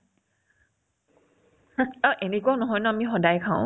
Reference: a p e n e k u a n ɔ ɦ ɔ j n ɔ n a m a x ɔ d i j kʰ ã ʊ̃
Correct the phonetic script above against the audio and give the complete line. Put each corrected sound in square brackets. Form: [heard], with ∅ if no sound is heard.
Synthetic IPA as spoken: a [ʔ] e n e k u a n ɔ ɦ ɔ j n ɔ [∅] a m [i] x ɔ d [a] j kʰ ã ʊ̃